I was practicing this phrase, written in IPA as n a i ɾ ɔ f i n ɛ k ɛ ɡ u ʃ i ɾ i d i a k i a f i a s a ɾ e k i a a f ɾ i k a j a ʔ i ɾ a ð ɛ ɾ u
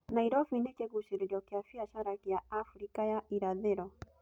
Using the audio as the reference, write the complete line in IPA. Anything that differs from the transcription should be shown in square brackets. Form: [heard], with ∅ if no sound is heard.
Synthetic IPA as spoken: n a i ɾ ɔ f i n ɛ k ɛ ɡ u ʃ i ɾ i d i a k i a f i a [ʃ] a ɾ [a] k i a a f ɾ i k a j a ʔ i ɾ a ð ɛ ɾ [ɔ]